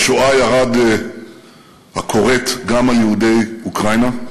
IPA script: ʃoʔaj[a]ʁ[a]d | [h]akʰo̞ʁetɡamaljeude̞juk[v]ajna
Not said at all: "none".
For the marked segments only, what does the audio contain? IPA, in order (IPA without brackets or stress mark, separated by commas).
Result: a, a, h, ʁ